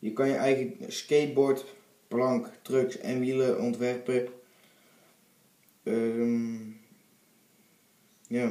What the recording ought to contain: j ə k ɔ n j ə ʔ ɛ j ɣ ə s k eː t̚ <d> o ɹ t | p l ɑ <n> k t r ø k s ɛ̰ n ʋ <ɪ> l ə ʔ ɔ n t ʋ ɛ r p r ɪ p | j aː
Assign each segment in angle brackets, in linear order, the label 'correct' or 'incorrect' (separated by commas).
incorrect, incorrect, incorrect